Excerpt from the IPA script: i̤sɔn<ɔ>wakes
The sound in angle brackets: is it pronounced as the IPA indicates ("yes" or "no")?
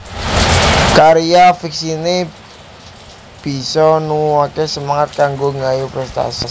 no